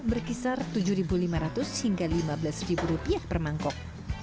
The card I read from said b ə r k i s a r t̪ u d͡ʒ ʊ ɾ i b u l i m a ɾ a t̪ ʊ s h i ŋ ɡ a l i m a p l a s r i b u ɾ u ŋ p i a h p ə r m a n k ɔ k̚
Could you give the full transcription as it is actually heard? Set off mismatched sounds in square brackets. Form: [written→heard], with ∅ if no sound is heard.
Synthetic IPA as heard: b ə r k i s a r t̪ u d͡ʒ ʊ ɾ i b u l i m a ɾ a t̪ ʊ s h i ŋ ɡ a l i m a [p→b] l a s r i b u ɾ u [ŋ→∅] p i a h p ə r m a [n→ŋ] k ɔ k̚